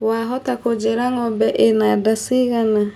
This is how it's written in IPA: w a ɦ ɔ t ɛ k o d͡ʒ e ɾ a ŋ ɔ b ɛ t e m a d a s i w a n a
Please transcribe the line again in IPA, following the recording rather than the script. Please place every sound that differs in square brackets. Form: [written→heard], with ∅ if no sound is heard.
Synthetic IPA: w a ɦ ɔ t [ɛ→a] k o d͡ʒ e ɾ a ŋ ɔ b ɛ [t→ʔ] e [m→n] a d a s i [w→ɣ] a n a

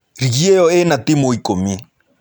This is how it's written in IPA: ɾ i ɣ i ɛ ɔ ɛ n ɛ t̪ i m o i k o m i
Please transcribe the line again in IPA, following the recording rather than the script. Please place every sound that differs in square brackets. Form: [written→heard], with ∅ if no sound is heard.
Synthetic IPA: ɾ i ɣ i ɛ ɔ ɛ n [ɛ→a] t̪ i m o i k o m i

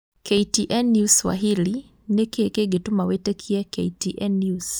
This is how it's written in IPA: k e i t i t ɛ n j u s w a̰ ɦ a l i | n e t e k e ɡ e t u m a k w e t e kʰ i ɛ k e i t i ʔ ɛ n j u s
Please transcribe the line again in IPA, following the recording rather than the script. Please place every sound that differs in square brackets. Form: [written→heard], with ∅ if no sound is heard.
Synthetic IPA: k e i t i [t→ʔ] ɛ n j u s w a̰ ɦ [a→i] l i | n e [t→k] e k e ɡ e t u m a [k→∅] w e t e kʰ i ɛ k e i t i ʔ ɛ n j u s

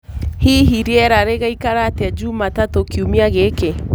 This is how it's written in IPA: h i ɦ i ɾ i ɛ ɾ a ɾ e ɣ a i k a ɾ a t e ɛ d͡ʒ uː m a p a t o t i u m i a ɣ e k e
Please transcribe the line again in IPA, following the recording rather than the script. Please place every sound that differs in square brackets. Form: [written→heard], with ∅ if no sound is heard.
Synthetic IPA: h i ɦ i ɾ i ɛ ɾ a ɾ e ɣ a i k a ɾ a t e [ɛ→a] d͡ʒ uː m a [p→t] a t o [t→k] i u m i a ɣ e k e

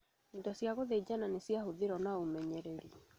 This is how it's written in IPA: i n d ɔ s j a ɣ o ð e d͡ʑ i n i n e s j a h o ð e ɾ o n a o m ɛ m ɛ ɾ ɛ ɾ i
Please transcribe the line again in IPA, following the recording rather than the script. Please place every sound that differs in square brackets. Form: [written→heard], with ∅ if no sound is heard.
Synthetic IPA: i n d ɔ s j a ɣ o ð e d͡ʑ [i→a] n [i→a] n e s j a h o ð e ɾ [o→ɔ] n a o m ɛ [m→ɲ] ɛ ɾ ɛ ɾ i

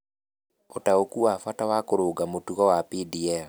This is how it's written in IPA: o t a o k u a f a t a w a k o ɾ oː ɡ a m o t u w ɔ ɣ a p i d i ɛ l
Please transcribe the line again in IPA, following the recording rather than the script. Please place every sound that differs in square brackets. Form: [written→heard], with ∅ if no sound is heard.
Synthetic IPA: o t a o k u a f a t a w a k o ɾ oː ɡ a m o t u [w→ɣ] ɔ [ɣ→w] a p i d i ɛ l

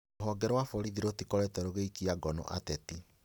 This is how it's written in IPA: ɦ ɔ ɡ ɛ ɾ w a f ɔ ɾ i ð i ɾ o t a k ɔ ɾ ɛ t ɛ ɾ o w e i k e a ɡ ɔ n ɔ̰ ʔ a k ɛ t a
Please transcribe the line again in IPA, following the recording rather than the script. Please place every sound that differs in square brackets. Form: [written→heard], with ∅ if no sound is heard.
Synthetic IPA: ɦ ɔ ɡ ɛ ɾ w a f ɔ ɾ i ð i ɾ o t [a→i] k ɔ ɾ ɛ t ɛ ɾ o [w→ɣ] e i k [e→i] a ɡ ɔ n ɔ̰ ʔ a [k→t] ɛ t [a→i]

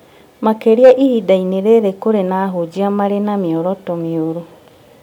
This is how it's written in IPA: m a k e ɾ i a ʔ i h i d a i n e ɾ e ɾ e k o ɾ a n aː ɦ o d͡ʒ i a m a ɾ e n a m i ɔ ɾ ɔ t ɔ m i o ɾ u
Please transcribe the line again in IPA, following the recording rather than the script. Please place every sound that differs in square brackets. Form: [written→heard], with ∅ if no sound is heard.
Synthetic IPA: m a k e ɾ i a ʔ i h i d a i n e ɾ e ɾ e k o ɾ [a→e] n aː ɦ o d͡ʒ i a m a ɾ e n a m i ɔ ɾ ɔ t ɔ m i o ɾ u

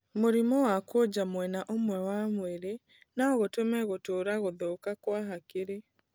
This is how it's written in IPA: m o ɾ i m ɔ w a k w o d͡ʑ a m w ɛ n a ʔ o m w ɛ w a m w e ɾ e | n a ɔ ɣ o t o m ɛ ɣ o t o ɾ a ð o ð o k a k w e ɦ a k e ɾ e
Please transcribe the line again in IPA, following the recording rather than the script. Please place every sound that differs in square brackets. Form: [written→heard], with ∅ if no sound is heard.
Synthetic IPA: m o ɾ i m ɔ w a k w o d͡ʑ a m w ɛ n a ʔ o m w ɛ w a m w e ɾ e | n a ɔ ɣ o t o m ɛ ɣ o t o ɾ a [ð→ɣ] o ð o k a k w [e→a] ɦ a k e ɾ e

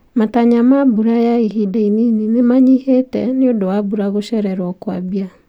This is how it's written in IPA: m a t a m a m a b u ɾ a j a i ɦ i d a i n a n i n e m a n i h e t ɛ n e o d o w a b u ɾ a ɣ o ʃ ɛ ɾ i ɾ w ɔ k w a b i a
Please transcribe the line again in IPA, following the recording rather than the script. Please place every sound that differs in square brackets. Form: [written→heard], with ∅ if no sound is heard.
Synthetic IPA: m a t a [m→ɲ] a m a b u ɾ a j a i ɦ i d a i n [a→i] n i n e m a [n→ɲ] i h e t ɛ n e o d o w a b u ɾ a ɣ o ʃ ɛ ɾ [i→ɛ] ɾ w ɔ k w a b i a

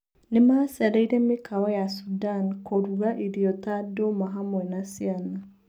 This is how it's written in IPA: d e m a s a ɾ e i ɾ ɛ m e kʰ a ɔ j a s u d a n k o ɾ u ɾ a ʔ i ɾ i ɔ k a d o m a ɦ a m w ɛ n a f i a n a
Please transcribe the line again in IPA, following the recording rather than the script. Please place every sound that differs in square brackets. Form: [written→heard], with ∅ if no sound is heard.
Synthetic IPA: [d→n] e m a s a ɾ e i ɾ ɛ m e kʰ a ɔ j a s u d a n k o ɾ u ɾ a ʔ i ɾ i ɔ [k→t] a d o m a ɦ a m w ɛ n a [f→s] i a n a

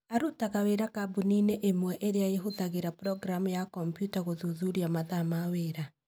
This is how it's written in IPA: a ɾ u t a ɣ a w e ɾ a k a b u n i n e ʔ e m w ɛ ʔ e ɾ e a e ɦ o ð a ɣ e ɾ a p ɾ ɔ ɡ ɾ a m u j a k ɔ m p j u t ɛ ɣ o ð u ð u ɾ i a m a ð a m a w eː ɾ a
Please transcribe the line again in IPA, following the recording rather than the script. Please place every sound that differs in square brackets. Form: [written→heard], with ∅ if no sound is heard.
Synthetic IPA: a ɾ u t a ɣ a w e ɾ a k a b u n i n e ʔ e m w ɛ ʔ e ɾ e a e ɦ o ð a ɣ e ɾ a p ɾ ɔ ɡ ɾ a m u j a k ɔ m p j u t [ɛ→a] ɣ o ð u ð u ɾ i a m a ð a m a w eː ɾ a

